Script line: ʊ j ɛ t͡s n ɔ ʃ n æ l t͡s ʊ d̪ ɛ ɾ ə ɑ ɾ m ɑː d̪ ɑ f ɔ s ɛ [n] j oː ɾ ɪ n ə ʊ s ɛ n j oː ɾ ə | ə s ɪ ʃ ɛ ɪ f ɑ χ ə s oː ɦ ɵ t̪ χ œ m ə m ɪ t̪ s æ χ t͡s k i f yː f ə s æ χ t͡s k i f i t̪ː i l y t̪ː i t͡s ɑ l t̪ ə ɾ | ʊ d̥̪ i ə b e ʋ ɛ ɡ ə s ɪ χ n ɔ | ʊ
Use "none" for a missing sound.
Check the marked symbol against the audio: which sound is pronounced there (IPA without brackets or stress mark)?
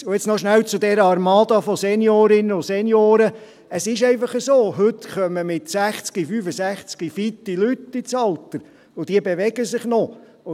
n